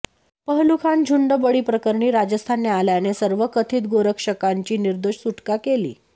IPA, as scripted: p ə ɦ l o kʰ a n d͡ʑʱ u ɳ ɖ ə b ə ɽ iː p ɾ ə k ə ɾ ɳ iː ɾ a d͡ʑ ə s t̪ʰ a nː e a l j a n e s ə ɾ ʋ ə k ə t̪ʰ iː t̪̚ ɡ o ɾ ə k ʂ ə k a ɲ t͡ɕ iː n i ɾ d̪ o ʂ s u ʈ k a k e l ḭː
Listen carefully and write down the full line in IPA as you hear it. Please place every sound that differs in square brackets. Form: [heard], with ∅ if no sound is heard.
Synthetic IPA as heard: p ə ɦ l [u] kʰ a n d͡ʑʱ u ɳ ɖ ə b ə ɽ iː p ɾ ə k ə ɾ ɳ iː ɾ a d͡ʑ ə s t̪ʰ a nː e a l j a n e s ə ɾ ʋ ə k ə t̪ʰ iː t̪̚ ɡ o ɾ ə k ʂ ə k a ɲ t͡ɕ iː n i ɾ d̪ o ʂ s u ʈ k a k e l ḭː